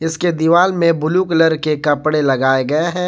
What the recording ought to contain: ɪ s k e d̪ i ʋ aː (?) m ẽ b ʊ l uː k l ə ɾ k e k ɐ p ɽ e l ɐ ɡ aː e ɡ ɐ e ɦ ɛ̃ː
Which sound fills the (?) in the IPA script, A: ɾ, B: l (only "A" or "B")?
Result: B